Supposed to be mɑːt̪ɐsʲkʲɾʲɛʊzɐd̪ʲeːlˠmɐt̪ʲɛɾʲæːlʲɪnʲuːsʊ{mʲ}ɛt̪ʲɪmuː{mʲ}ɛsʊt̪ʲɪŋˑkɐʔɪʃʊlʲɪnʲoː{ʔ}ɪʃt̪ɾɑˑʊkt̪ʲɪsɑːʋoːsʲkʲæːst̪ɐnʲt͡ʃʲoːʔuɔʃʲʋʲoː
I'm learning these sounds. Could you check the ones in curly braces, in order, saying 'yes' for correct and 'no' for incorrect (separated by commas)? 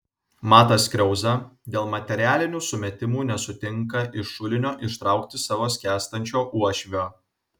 yes, no, yes